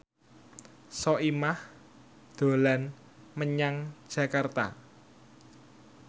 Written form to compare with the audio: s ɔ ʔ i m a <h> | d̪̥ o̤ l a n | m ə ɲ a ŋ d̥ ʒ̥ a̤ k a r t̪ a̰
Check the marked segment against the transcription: correct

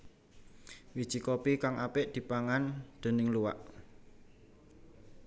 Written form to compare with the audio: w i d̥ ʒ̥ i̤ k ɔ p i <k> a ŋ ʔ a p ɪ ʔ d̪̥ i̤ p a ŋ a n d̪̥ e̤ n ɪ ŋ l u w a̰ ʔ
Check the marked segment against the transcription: correct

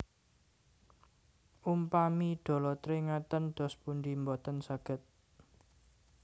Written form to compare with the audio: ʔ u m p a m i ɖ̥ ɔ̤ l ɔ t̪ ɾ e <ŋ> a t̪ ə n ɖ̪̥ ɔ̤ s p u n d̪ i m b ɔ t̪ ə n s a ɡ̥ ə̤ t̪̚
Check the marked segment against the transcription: correct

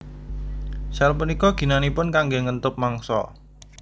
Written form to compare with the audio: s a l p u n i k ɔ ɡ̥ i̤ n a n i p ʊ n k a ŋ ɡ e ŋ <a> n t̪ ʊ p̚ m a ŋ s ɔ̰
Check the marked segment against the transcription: incorrect: ə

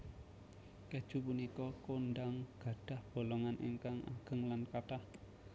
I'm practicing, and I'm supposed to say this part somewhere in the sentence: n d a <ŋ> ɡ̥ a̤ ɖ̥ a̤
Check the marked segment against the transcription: correct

